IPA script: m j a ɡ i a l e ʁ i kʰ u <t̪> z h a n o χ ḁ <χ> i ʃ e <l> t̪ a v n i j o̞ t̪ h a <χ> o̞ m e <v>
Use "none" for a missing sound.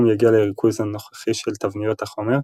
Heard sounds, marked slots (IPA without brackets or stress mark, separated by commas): none, χ, l, χ, ʁ